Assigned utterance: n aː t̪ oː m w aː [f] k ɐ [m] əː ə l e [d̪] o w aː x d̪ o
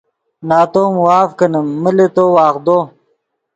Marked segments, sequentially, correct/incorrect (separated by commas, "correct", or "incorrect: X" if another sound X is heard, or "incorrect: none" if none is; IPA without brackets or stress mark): correct, incorrect: n, incorrect: t̪